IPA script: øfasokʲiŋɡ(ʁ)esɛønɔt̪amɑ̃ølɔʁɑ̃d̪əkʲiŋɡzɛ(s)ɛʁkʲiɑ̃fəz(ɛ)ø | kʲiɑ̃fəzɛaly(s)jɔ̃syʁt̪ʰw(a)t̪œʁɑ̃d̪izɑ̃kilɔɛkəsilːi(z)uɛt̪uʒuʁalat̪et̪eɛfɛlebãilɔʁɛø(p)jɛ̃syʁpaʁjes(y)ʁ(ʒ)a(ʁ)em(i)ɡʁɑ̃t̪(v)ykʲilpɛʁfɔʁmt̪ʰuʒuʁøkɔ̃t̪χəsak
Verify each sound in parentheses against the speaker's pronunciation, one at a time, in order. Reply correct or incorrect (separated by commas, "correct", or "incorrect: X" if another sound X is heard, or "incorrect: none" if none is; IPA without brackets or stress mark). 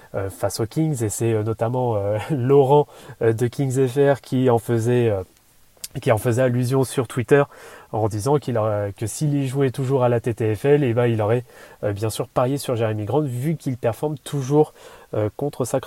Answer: incorrect: z, incorrect: f, correct, incorrect: z, incorrect: i, incorrect: ʒ, incorrect: b, correct, correct, correct, correct, correct